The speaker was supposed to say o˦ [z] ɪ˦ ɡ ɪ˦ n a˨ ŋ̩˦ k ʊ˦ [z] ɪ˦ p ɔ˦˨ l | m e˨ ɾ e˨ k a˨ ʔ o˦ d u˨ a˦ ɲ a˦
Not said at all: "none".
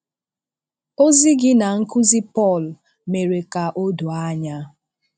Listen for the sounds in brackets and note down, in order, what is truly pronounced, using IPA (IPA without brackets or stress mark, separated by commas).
z, z